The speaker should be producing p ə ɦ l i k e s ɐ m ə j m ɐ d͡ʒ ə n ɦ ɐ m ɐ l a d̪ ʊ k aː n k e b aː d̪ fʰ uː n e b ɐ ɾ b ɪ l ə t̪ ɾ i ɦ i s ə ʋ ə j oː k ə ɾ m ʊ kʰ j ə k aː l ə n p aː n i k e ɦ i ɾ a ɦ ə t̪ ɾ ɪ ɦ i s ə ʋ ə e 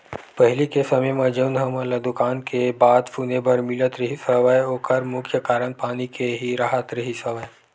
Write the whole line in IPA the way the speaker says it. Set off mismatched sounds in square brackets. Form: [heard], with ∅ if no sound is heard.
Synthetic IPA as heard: p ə ɦ l i k e s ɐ m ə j m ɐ d͡ʒ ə n ɦ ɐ m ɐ l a d̪ ʊ k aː n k e b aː d̪ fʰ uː n e b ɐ ɾ [m] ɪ l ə t̪ ɾ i ɦ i s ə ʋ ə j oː k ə ɾ m ʊ kʰ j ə k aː [ɾ] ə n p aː n i k e ɦ i ɾ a ɦ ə t̪ ɾ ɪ ɦ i s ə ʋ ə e